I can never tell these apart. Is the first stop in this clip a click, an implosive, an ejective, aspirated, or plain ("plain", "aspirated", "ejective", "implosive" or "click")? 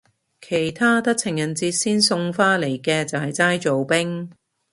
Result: aspirated